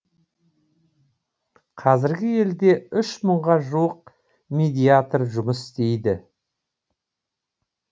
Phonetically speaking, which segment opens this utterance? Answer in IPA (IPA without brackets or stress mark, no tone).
qʰ